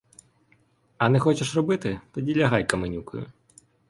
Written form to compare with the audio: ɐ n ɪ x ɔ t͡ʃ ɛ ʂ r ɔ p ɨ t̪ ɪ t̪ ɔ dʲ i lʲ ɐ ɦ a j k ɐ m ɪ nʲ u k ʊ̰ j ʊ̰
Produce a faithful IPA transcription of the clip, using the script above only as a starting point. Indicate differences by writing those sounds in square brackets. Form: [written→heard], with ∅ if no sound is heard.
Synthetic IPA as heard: ɐ n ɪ x ɔ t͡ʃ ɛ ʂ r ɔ [p→b] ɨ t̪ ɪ t̪ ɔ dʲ i lʲ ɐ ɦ a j k ɐ m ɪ nʲ u k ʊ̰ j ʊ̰